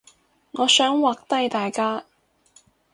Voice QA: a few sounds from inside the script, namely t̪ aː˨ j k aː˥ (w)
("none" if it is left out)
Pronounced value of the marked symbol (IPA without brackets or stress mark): none